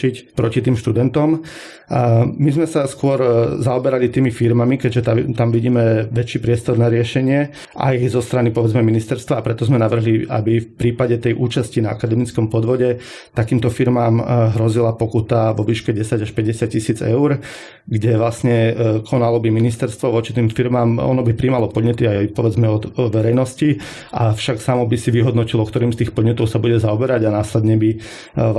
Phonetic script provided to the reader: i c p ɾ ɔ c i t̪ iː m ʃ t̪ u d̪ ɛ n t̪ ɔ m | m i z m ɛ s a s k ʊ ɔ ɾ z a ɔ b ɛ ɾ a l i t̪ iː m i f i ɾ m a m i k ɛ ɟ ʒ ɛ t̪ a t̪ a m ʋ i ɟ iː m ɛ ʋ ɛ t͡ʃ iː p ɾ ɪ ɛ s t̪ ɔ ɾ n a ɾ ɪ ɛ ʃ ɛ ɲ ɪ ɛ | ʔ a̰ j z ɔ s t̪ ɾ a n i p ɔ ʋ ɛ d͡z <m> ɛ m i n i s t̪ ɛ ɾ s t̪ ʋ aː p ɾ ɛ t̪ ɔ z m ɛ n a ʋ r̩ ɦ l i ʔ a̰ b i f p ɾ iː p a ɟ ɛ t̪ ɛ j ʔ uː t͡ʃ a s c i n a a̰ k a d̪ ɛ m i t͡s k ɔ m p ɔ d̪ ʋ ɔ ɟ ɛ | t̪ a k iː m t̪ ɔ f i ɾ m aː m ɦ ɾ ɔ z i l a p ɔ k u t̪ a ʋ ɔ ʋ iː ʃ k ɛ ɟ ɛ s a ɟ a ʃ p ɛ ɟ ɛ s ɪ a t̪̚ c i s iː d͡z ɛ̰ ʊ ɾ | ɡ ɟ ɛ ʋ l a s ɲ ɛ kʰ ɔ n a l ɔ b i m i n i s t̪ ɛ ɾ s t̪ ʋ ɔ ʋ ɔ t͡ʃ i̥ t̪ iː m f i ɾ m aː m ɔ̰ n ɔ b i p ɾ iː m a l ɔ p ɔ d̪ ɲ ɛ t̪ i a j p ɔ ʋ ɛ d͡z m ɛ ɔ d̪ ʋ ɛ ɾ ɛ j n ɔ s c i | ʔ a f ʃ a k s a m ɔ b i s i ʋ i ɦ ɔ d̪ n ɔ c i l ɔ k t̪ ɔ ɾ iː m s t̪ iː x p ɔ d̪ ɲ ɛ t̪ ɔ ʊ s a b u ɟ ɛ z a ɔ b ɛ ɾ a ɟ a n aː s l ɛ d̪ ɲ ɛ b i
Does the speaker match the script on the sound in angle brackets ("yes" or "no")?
yes